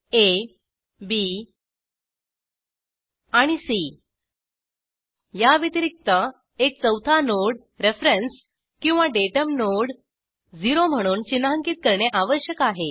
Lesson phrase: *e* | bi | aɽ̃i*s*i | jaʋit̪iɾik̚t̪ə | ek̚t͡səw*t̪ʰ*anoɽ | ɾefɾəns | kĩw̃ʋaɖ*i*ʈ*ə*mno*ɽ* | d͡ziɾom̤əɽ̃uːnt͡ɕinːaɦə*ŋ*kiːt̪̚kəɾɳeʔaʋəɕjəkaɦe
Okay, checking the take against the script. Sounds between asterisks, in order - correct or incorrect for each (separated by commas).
correct, correct, correct, incorrect, correct, correct, correct